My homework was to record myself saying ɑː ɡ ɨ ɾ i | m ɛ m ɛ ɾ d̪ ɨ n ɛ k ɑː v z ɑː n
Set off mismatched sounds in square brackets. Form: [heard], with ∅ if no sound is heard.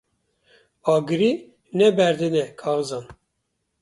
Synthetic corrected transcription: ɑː ɡ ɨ ɾ i | [n] ɛ [b] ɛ ɾ d̪ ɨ n ɛ [kʰ] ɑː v z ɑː n